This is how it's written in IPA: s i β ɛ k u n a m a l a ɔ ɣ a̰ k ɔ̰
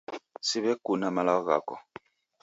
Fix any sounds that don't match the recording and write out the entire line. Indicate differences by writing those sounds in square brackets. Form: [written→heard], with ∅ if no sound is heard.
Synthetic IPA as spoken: s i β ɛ k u n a m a l a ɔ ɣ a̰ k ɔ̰